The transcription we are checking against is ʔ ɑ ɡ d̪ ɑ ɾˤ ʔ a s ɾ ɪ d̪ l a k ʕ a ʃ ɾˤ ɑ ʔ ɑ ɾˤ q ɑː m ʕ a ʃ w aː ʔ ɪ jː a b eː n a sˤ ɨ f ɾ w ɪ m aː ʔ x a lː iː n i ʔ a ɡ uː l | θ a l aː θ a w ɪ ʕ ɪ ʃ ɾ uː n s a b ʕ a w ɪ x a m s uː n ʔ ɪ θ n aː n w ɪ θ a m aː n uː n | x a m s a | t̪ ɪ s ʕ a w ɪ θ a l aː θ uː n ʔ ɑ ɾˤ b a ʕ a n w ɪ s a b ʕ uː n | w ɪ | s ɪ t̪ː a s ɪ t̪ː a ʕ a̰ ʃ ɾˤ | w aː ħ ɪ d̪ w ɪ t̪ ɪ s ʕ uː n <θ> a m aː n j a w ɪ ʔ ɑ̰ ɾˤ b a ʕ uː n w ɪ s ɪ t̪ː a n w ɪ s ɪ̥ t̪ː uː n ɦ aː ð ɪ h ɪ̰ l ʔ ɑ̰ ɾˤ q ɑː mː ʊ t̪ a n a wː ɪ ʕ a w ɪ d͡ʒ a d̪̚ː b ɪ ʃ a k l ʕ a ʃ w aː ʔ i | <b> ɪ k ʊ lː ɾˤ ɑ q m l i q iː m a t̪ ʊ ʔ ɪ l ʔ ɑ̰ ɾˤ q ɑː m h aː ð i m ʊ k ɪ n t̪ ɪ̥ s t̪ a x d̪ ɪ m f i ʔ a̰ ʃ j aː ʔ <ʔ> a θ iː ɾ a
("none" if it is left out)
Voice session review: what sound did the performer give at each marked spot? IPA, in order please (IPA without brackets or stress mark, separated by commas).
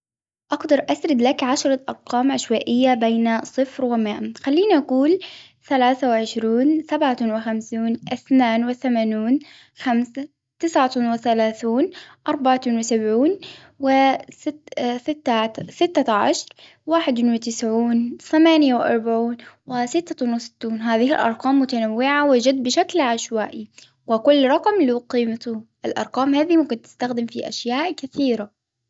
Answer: θ, w, k